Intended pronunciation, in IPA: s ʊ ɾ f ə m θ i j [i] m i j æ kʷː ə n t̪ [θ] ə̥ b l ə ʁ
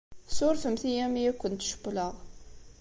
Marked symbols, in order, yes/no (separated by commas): no, no